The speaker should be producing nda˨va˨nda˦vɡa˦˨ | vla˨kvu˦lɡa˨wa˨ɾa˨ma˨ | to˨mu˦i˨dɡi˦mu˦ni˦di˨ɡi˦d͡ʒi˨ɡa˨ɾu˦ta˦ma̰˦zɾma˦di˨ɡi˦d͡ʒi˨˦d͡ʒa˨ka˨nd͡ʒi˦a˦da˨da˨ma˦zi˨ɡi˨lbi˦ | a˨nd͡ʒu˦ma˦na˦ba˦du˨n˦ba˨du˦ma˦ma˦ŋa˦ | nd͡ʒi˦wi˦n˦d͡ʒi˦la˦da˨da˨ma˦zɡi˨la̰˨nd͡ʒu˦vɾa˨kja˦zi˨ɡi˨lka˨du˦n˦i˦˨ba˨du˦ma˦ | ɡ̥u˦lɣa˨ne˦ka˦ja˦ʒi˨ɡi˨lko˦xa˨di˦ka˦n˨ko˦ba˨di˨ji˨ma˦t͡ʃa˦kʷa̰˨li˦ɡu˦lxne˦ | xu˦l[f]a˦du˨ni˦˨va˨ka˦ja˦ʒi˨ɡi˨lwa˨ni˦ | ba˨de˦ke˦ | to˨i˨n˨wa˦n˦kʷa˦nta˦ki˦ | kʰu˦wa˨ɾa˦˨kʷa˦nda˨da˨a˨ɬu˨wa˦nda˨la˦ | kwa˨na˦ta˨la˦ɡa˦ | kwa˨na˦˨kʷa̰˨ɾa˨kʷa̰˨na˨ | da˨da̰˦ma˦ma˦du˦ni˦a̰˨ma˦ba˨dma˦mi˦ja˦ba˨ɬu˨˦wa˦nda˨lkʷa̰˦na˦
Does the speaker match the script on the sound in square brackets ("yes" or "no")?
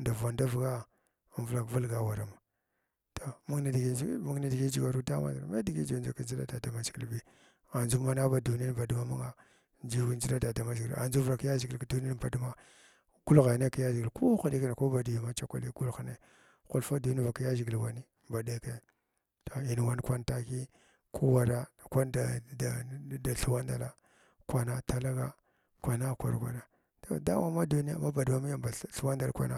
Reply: yes